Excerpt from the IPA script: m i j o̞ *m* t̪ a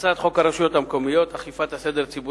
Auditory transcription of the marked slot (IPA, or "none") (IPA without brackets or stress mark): none